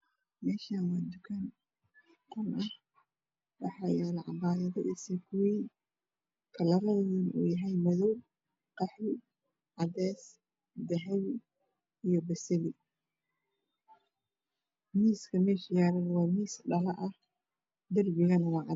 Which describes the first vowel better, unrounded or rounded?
unrounded